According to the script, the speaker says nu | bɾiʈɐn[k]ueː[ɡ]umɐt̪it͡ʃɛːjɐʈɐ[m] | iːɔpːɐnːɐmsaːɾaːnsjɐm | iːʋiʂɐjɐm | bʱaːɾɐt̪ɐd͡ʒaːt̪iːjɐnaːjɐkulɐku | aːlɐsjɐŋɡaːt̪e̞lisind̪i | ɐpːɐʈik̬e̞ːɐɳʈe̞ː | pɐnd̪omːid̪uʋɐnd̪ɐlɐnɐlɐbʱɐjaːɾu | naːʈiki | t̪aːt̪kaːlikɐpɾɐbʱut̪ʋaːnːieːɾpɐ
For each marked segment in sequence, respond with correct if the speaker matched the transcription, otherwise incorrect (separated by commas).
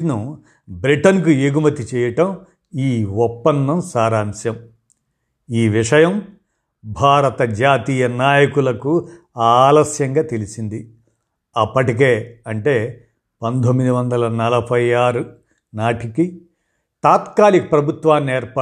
correct, correct, correct